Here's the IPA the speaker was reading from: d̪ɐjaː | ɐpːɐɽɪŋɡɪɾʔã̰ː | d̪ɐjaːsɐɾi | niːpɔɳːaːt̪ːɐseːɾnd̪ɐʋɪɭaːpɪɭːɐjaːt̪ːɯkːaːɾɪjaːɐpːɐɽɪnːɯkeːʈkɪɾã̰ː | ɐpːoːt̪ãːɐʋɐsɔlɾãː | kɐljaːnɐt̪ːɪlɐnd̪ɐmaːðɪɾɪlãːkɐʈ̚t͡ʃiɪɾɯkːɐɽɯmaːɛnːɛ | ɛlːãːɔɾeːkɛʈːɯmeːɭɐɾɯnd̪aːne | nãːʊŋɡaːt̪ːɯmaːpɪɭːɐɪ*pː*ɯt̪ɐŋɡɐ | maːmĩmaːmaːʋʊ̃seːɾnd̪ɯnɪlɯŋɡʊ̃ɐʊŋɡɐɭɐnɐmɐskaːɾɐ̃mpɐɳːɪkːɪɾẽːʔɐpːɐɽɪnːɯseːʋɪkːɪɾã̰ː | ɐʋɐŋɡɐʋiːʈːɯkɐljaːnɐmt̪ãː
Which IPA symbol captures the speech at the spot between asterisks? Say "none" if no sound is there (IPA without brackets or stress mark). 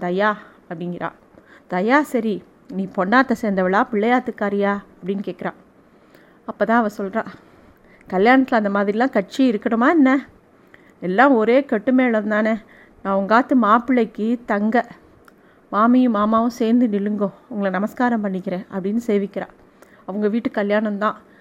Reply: kː